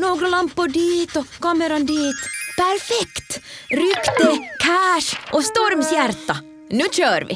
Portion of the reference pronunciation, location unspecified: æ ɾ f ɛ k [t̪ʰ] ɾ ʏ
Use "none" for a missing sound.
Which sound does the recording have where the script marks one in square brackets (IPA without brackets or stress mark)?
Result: t̪